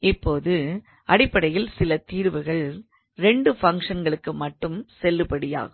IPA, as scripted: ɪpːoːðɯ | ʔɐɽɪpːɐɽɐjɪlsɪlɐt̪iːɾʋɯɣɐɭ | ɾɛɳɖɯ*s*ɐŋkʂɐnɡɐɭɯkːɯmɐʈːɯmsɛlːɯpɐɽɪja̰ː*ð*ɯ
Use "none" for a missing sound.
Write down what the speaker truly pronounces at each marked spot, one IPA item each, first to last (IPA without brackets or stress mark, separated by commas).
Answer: f, ɣ